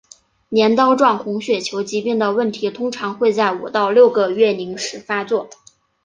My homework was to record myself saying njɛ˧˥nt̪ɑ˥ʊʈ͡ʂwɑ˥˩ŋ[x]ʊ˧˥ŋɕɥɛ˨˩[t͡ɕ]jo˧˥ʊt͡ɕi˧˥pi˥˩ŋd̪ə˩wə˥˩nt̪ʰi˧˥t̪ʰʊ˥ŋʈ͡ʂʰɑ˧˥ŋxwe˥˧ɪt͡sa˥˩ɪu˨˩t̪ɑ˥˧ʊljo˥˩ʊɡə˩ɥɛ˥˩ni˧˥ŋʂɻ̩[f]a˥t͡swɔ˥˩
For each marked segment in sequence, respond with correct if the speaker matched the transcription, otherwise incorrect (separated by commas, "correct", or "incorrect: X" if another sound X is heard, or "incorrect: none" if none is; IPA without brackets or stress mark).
correct, incorrect: t͡ɕʰ, correct